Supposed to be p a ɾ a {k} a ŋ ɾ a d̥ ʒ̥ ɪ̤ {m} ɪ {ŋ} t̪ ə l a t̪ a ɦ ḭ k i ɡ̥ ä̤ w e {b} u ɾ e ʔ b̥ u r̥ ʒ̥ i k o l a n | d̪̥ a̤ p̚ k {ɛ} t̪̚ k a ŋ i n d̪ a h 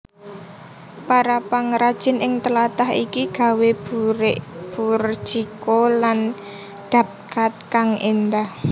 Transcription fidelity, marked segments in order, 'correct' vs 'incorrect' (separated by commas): incorrect, incorrect, correct, correct, incorrect